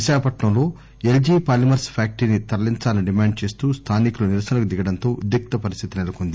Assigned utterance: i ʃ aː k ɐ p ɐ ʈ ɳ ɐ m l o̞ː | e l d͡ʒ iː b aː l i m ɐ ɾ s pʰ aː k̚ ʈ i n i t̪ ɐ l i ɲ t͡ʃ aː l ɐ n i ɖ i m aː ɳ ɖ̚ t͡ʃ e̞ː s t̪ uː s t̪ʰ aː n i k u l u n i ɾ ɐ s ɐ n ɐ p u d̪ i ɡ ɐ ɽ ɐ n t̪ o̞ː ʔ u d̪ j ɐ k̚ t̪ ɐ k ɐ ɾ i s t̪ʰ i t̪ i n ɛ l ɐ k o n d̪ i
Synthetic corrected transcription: i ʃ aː k ɐ p ɐ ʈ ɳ ɐ m l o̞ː | e l d͡ʒ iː p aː l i m ɐ ɾ s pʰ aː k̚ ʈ i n i t̪ ɐ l i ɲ t͡ʃ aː l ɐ n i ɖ i m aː ɳ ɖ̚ t͡ʃ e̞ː s t̪ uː s t̪ʰ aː n i k u l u n i ɾ ɐ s ɐ n ɐ k u d̪ i ɡ ɐ ɽ ɐ n t̪ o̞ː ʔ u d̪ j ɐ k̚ t̪ ɐ p ɐ ɾ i s t̪ʰ i t̪ i n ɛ l ɐ k o n d̪ i